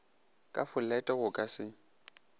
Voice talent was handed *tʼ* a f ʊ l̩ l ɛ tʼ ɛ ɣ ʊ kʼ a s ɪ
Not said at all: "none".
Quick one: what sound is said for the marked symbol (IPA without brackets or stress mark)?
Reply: kʼ